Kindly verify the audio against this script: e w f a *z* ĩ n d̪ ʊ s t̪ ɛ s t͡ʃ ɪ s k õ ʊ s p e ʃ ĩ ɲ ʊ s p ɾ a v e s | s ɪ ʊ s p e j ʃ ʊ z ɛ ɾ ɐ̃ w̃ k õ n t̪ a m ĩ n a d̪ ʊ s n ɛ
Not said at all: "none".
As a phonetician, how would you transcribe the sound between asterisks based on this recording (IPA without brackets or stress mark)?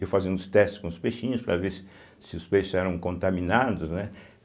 z